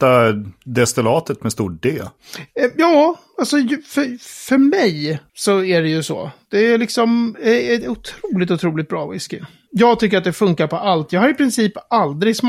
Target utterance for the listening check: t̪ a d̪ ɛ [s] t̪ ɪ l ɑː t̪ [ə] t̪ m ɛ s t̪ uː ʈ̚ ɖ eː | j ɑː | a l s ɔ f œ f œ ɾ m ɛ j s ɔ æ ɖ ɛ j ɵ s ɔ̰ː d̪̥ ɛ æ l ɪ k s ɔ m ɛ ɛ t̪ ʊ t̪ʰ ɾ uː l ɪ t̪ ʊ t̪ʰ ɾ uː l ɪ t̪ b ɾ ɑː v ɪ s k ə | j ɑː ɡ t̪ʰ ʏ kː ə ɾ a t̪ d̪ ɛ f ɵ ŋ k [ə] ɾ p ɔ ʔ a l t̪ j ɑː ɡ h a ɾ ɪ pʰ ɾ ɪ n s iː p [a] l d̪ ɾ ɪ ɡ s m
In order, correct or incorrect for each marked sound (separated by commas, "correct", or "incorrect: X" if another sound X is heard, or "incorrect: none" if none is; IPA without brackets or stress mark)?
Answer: correct, correct, incorrect: a, correct